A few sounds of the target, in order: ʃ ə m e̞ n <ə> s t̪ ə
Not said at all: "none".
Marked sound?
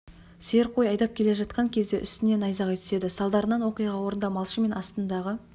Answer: ɑ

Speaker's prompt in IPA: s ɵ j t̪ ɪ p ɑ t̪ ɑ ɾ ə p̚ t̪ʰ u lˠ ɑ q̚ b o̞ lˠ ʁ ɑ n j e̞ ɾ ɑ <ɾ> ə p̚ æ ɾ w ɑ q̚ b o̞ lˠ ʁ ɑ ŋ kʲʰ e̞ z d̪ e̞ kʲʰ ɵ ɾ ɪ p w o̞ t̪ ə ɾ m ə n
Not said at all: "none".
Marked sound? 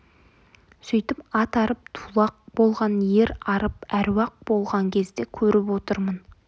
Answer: ɾ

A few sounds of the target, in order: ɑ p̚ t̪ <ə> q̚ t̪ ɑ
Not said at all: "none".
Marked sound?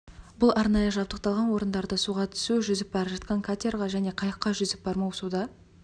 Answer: ə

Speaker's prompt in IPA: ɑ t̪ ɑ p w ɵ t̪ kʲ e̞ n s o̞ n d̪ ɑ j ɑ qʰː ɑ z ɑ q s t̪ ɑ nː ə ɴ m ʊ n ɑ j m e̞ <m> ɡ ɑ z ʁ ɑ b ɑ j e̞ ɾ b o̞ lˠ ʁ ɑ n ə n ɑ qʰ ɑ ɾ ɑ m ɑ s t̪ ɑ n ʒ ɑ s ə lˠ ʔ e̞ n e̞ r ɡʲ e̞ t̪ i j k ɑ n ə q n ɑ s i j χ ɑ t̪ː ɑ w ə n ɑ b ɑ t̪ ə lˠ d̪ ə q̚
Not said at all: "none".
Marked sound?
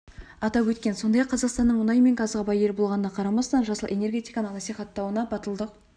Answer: ŋ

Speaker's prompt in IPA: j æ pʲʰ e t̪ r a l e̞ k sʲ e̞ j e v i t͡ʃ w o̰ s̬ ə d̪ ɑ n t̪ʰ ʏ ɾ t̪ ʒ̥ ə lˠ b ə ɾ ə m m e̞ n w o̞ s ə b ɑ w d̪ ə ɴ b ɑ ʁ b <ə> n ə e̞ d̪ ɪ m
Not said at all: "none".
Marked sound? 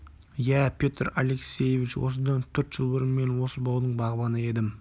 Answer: ɑ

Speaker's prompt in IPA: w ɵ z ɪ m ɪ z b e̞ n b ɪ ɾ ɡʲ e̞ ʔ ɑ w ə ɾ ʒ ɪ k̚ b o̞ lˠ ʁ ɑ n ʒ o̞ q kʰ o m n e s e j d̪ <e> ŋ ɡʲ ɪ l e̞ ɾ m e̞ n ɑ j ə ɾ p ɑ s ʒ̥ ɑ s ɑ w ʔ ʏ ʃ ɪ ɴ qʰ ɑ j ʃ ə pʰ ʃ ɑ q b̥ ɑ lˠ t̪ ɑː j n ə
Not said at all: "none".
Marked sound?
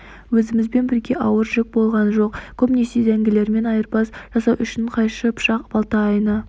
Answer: æ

